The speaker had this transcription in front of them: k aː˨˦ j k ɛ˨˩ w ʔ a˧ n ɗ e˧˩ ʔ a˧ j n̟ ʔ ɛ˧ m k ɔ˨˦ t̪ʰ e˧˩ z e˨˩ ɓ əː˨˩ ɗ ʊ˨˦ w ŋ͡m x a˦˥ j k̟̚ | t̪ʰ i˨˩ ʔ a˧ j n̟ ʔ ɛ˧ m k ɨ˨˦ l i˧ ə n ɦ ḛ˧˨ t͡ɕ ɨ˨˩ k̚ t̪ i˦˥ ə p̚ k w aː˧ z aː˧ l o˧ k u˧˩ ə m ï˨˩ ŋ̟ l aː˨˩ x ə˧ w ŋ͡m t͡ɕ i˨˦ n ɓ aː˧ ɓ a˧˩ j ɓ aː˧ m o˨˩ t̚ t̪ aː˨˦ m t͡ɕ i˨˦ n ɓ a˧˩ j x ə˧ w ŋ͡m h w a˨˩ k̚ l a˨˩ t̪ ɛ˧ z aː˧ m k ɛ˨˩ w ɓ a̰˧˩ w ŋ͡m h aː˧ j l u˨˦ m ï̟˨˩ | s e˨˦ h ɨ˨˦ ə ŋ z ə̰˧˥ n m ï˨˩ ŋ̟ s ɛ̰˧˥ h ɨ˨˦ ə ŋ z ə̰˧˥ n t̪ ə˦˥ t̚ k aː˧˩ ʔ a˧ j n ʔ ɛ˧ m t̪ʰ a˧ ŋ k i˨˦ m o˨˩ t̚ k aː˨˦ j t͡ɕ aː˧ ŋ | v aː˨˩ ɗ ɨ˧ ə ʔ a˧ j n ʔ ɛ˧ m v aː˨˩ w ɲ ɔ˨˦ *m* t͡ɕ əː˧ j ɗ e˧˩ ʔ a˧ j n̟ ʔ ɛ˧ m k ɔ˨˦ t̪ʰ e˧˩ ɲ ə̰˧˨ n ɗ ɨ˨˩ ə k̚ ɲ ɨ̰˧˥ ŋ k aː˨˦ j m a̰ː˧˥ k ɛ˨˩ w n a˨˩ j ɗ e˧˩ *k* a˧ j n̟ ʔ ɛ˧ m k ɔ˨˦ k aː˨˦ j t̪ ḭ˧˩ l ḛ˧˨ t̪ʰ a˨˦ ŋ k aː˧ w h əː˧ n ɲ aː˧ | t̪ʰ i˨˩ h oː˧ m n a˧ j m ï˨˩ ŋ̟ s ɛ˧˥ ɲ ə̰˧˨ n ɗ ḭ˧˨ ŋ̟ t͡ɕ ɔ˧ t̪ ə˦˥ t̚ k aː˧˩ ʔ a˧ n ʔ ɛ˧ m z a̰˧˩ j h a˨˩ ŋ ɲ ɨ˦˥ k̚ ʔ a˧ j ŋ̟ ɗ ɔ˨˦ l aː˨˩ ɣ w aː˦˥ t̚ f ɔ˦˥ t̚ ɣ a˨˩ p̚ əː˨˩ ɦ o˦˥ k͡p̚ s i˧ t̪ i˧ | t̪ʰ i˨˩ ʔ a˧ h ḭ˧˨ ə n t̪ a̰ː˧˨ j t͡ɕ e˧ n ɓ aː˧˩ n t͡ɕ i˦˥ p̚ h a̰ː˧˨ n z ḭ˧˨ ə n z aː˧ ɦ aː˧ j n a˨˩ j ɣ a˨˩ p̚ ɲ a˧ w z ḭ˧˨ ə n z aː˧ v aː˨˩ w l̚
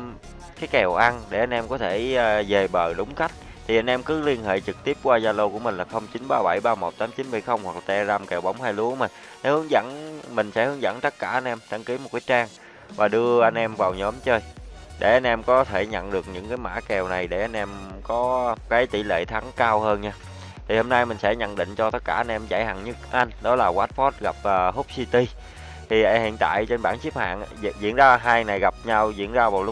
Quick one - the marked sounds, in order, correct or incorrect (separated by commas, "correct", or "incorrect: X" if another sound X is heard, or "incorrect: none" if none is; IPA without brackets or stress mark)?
correct, incorrect: ʔ